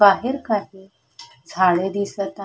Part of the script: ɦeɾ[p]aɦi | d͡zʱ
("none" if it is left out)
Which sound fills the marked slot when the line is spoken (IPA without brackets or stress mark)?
k